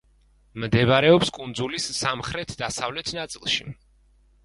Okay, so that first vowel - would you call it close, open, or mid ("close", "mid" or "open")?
mid